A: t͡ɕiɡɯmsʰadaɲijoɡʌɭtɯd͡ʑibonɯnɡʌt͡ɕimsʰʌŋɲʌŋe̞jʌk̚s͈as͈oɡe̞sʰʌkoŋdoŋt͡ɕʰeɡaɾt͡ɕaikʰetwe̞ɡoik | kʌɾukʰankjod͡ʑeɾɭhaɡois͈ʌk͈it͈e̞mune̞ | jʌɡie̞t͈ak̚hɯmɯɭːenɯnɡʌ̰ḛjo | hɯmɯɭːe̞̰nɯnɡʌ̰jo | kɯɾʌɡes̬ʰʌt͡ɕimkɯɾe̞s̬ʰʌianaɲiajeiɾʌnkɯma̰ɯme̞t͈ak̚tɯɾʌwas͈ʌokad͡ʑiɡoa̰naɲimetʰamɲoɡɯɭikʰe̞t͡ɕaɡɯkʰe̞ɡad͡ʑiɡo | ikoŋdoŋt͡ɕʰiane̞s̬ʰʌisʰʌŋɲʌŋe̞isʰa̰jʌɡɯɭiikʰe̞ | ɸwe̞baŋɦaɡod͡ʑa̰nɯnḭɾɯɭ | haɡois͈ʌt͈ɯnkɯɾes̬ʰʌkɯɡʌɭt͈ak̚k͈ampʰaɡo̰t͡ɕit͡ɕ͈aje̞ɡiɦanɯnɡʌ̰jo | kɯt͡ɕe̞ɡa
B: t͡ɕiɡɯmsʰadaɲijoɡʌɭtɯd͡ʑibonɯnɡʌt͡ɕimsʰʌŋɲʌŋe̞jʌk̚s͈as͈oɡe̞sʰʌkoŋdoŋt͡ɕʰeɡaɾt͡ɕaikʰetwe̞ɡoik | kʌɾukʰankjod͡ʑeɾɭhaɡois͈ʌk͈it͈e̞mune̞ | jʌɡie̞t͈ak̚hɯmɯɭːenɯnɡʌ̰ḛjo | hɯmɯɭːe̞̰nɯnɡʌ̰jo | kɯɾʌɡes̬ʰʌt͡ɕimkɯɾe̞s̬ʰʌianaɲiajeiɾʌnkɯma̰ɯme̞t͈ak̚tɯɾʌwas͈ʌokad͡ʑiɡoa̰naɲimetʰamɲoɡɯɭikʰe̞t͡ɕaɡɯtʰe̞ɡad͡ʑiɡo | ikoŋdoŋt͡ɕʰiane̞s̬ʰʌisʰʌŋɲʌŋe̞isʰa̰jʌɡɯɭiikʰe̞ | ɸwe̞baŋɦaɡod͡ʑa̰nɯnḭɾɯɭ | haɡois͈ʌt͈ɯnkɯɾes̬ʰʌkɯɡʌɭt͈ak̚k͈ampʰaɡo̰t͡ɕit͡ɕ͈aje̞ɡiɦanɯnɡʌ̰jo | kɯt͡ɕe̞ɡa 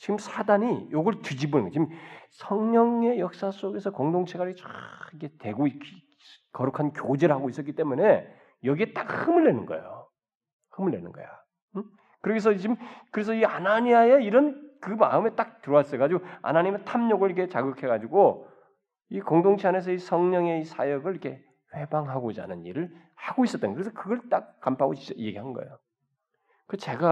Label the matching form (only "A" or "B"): A